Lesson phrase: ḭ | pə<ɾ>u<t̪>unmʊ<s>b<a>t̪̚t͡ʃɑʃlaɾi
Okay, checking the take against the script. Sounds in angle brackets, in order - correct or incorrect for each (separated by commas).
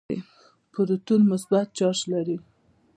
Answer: correct, correct, correct, correct